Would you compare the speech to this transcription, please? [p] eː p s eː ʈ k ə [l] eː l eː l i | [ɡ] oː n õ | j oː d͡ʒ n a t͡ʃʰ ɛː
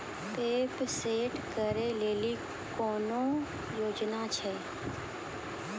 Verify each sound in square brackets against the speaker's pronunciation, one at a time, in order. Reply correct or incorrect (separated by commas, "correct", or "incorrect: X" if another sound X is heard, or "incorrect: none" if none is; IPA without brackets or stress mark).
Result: correct, incorrect: ɾ, incorrect: k